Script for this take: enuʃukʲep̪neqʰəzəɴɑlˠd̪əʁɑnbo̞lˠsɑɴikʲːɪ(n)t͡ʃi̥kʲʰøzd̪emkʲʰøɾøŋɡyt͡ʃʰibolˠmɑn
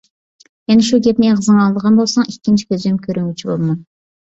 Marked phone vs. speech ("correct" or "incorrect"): correct